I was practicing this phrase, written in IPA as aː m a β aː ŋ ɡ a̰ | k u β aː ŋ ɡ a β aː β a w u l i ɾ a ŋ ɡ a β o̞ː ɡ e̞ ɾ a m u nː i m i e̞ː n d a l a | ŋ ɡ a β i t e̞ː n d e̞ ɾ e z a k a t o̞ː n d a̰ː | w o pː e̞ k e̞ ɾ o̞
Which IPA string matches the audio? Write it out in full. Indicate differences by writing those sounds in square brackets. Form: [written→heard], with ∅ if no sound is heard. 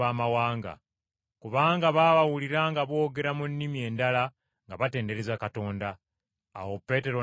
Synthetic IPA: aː m a [β→w] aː ŋ ɡ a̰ | k u β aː ŋ ɡ a β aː β a w u l i ɾ a ŋ ɡ a β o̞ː ɡ e̞ ɾ a m u nː i m i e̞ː n d a l a | ŋ ɡ a β [i→a] t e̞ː n d e̞ ɾ e z a k a t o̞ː n d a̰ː | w o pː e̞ [k→t] e̞ ɾ o̞